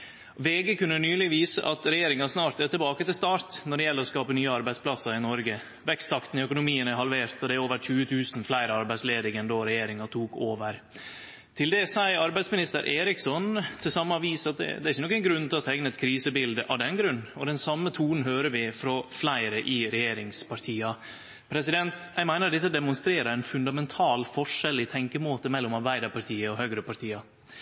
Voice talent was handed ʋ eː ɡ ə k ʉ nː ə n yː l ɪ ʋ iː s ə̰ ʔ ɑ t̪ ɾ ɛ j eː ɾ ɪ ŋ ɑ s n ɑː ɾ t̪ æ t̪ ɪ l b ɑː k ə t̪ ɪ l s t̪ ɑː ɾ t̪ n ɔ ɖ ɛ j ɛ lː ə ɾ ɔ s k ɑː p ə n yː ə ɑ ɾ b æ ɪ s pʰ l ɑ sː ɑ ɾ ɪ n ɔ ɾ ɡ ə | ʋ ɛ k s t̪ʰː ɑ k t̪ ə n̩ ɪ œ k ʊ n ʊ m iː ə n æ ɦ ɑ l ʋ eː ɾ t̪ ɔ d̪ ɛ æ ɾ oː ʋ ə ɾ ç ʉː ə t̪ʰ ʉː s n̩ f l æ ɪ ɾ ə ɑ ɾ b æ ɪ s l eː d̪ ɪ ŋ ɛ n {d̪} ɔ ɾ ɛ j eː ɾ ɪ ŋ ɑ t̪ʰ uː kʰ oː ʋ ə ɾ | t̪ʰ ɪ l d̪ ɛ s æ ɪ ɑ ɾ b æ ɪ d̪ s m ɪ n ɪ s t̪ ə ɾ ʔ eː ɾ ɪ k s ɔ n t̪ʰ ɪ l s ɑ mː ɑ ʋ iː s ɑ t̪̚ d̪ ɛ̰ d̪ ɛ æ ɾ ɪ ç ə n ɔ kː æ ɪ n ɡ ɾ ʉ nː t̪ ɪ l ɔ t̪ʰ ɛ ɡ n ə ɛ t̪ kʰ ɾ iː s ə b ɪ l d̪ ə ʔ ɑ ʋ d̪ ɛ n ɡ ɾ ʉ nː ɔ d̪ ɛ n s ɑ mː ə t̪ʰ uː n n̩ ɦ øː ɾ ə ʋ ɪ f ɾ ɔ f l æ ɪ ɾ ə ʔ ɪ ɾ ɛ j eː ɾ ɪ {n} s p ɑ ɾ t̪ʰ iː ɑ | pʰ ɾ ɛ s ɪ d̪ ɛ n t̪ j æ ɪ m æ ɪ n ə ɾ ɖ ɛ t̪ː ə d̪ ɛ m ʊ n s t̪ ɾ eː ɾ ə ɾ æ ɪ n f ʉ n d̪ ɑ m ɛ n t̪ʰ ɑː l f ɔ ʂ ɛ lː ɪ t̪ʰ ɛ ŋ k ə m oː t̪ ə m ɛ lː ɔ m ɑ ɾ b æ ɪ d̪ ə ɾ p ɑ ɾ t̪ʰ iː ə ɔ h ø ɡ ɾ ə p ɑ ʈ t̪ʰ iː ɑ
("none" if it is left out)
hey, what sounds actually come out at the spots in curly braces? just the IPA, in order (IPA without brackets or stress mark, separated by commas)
d̪, ŋ